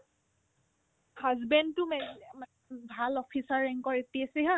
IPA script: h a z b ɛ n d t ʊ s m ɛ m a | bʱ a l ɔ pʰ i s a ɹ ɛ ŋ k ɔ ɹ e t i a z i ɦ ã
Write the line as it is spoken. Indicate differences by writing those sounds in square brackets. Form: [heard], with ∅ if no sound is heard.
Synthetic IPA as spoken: h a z b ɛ n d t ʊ [∅] m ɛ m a | bʱ a l ɔ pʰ i s a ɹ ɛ ŋ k ɔ ɹ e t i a [s] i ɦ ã

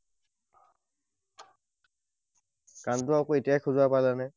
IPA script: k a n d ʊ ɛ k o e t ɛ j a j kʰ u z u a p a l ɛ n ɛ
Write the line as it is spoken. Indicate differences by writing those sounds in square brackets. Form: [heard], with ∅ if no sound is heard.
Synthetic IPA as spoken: k a n [t] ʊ [a] k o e t [i] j a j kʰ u z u a p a l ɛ n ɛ

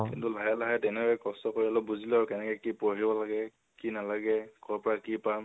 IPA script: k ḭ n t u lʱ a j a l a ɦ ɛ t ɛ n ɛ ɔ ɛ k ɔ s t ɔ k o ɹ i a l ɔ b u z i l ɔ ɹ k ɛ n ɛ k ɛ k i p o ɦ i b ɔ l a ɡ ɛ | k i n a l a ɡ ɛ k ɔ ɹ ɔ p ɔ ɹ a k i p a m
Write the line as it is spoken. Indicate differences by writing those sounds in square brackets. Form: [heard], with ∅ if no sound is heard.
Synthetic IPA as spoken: k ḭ n t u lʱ a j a l a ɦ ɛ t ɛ n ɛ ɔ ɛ k ɔ s t ɔ k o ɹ i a l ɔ b u z i l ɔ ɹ k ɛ n ɛ k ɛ k i p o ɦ i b ɔ l a ɡ ɛ | k i n a l a ɡ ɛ k ɔ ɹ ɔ p ɔ ɹ a k i p a m

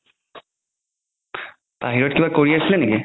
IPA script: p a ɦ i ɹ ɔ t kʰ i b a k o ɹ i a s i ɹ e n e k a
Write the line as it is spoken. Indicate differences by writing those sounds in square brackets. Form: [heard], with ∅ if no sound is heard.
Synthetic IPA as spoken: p a ɦ i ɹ ɔ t [k] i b a k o ɹ i a s i [l] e n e k [i]

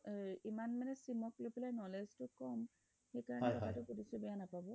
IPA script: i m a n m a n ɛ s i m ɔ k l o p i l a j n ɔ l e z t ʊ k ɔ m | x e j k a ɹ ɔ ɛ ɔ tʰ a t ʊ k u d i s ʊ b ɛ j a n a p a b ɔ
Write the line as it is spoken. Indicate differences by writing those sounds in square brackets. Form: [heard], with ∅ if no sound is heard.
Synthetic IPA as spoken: i m a n m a n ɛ s i m ɔ k l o p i l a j n ɔ l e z t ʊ k ɔ m | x e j k a ɹ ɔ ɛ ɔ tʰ a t ʊ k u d i s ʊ b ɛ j a n a p a b ɔ

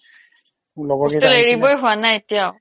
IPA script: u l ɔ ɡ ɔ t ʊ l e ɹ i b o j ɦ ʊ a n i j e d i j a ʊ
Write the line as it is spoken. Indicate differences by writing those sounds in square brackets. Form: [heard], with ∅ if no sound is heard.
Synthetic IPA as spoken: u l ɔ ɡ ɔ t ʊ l e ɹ i b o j ɦ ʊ a n [a] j e [t] i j a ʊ

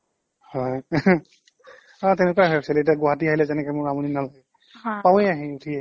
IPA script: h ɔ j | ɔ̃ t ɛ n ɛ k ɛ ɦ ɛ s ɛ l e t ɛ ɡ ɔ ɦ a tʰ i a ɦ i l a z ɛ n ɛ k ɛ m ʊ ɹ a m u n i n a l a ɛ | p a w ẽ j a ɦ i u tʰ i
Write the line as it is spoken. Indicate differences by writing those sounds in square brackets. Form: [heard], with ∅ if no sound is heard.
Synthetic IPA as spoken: h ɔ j | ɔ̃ t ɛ n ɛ k [a] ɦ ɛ s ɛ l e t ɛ ɡ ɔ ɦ a [t] i a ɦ i l [ɛ] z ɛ n ɛ k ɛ m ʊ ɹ a m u n i n a l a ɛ | p a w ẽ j a ɦ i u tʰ i

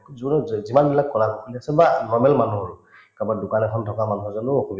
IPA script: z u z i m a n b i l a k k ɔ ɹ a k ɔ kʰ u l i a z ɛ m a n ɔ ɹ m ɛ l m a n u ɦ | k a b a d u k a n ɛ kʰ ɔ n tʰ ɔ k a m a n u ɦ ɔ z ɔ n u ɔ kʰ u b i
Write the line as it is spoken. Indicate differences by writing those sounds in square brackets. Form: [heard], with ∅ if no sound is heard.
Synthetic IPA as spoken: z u z i m a n b i l a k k ɔ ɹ a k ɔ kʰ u l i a [s] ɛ [b] a n ɔ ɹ m ɛ l m a n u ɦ | k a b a d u k a n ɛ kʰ ɔ n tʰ ɔ k a m a n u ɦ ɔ z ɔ n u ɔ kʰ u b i

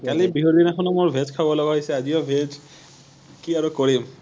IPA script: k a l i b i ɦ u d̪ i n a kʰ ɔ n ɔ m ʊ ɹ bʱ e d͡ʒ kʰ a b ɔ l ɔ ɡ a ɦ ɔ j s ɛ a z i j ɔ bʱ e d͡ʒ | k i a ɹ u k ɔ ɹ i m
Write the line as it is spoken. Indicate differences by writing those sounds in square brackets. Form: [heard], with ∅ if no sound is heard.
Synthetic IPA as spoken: k a l i b i ɦ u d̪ i n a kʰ ɔ n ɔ m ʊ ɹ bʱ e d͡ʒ kʰ a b ɔ l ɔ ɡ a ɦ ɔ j s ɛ a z i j ɔ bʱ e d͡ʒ | k i a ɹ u k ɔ ɹ i m

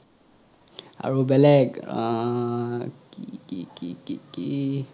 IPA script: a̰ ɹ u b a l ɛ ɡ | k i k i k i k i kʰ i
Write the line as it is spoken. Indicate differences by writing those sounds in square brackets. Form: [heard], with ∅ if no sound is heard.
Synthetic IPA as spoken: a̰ ɹ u b [ɛ] l ɛ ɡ | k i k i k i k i [k] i

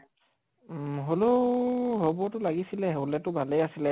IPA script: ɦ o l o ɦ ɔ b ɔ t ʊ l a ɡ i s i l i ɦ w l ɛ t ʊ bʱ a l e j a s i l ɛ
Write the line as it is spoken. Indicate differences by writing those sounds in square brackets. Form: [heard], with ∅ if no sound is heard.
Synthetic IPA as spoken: ɦ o l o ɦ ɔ b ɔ t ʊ l a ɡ i s i l [ɛ] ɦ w l ɛ t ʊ bʱ a l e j a s i l ɛ

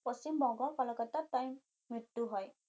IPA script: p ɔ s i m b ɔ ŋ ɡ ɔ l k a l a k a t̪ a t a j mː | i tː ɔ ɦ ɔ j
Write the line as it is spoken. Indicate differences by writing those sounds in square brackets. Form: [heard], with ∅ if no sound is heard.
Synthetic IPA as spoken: p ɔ s i m b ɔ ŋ ɡ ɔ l k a l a k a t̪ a t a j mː | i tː [u] ɦ ɔ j

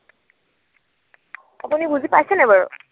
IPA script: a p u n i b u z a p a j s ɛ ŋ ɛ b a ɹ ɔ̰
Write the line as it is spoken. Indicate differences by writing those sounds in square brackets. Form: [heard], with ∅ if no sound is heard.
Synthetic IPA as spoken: a p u n i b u z [i] p a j s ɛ [n] ɛ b a ɹ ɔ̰

